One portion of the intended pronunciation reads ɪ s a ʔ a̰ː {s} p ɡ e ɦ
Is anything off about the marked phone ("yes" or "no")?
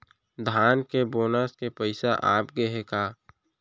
yes